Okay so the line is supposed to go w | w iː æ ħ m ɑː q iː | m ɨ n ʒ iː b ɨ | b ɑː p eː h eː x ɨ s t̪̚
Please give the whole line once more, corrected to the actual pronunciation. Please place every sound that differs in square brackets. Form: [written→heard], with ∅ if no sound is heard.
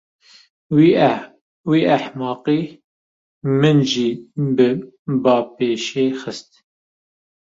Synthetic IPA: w | w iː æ ħ m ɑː q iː | m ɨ n ʒ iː b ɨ | b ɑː p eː [h→ʃ] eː x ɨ s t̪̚